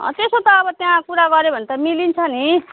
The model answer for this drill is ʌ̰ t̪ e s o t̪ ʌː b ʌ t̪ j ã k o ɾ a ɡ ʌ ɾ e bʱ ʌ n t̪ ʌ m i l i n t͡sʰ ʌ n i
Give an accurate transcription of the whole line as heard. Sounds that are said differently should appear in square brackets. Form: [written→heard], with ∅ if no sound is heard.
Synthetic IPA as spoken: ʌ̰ t̪ e s o t̪ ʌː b ʌ t̪ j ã k [o→u] ɾ a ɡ ʌ ɾ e bʱ ʌ n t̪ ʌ m i l i n t͡sʰ ʌ n i